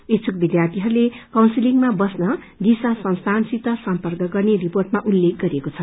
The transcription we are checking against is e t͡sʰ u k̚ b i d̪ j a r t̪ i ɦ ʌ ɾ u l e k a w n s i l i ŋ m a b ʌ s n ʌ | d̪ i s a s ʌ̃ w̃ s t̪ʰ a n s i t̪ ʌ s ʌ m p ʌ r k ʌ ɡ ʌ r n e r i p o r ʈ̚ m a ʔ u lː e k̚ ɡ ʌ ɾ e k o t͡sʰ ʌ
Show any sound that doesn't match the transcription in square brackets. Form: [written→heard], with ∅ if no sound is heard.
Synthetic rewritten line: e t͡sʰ u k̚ b i d̪ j a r t̪ i ɦ ʌ ɾ u l e k a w n s i l i ŋ m a b ʌ s n ʌ | d̪ i s a s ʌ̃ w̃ s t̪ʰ a n s i t̪ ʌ s ʌ m p ʌ r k ʌ ɡ ʌ r n e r i p o r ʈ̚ m a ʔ u lː e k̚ ɡ ʌ ɾ e k o t͡sʰ ʌ